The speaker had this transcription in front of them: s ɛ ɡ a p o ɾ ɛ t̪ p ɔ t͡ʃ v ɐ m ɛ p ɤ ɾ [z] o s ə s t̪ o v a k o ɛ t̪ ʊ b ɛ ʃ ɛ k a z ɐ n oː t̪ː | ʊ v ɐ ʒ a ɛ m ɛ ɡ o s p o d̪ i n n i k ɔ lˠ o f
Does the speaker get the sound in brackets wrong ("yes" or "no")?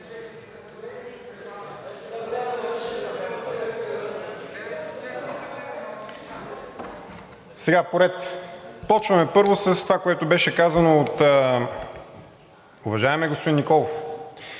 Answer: yes